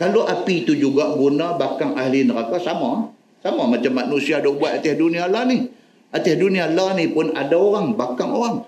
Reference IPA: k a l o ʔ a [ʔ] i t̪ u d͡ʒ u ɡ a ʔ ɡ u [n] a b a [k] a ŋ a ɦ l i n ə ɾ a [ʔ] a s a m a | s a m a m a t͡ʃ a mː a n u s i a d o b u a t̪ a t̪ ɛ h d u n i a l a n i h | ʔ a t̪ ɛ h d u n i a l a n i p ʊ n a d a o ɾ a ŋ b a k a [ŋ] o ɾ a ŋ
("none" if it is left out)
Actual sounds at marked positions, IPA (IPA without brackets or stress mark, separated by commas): p, n, k, k, ŋ